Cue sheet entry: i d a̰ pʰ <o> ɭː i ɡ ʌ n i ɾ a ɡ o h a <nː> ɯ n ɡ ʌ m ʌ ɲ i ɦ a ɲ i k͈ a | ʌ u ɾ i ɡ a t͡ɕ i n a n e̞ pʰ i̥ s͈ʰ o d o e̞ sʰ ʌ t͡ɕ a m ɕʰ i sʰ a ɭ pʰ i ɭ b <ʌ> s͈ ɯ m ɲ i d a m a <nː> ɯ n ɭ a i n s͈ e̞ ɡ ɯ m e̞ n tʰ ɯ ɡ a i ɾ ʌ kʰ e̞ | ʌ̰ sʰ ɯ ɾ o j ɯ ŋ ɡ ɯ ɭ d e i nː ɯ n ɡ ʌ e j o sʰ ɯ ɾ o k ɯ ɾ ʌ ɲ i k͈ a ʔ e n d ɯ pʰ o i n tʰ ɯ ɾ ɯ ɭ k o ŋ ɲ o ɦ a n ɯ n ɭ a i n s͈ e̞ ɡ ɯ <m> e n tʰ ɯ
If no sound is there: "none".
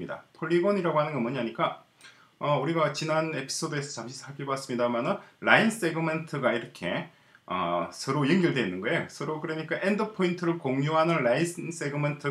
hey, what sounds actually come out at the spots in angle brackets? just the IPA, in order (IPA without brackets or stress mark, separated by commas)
o, n, a, n, m